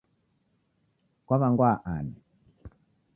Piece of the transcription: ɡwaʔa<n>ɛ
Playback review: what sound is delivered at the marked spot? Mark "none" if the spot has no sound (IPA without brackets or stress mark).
n